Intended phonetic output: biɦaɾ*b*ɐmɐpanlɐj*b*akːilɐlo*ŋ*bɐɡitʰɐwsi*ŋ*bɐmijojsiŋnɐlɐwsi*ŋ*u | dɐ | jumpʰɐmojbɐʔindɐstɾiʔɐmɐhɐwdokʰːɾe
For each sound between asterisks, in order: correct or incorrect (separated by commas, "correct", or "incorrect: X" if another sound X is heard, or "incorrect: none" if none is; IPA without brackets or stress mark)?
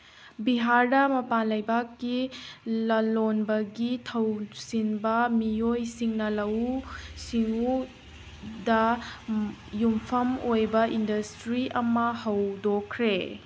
incorrect: d, correct, incorrect: n, incorrect: n, correct